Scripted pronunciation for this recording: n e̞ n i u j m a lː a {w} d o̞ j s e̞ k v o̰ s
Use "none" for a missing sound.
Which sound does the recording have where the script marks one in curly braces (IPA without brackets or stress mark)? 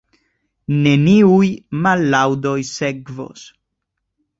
w